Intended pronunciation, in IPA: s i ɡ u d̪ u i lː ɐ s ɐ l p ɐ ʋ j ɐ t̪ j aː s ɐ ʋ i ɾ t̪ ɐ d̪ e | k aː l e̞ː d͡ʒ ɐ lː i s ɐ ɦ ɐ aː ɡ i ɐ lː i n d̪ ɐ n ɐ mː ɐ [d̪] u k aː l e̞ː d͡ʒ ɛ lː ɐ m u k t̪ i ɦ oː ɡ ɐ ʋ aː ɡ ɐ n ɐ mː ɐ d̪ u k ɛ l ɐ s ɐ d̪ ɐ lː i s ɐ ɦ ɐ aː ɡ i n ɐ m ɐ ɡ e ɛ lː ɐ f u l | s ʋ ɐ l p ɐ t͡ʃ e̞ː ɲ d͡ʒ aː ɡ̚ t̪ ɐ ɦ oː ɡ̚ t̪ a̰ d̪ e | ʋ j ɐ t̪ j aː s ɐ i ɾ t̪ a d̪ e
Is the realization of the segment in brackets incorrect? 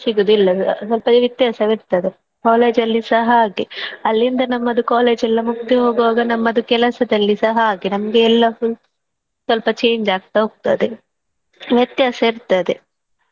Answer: no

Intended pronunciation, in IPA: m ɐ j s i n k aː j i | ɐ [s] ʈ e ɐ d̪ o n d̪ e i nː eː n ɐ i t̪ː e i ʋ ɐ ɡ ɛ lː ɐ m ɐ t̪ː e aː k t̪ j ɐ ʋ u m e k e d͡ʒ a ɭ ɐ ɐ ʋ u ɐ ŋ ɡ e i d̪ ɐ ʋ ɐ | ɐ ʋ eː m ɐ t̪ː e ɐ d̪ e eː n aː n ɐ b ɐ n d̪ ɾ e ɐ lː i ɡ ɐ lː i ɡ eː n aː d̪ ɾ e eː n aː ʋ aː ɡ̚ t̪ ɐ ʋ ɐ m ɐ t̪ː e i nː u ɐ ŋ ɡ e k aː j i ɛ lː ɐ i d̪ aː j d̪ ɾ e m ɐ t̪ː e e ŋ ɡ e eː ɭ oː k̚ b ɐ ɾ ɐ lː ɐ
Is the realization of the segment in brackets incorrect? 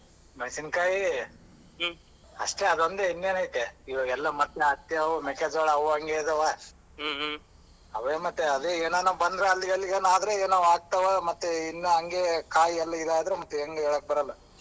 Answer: yes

